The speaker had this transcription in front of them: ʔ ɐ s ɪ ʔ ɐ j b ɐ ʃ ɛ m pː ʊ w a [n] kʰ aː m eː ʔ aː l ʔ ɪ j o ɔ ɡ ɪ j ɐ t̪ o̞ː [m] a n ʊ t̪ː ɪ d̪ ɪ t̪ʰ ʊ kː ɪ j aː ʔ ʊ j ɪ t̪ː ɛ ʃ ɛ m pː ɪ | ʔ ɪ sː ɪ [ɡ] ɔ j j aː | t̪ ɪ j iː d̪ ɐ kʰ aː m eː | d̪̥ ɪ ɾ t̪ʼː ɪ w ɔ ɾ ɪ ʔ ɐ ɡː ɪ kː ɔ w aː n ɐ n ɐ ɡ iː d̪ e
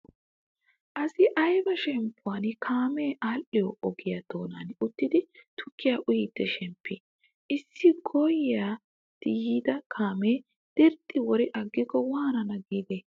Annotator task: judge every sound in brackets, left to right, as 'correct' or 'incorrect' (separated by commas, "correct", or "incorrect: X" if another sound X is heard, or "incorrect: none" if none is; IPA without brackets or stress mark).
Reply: correct, incorrect: n, correct